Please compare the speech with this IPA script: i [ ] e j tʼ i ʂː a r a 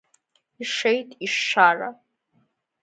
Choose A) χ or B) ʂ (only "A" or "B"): B